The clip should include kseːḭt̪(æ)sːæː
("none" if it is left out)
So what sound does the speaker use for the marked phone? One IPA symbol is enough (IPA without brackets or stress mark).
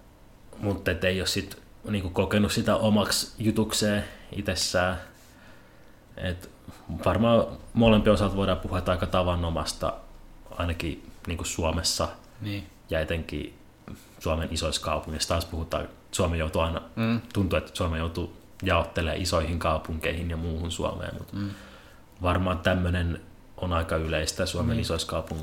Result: e